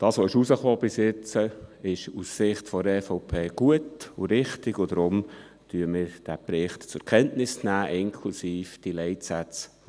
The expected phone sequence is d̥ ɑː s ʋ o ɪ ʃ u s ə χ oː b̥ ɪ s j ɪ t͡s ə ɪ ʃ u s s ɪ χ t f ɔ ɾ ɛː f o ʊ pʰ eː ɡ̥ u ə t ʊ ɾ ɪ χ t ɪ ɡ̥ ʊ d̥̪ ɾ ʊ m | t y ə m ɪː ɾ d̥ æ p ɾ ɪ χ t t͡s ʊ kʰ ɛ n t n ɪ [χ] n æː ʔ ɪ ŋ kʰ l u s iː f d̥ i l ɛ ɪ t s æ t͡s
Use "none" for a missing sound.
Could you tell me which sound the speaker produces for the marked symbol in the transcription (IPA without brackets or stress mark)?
s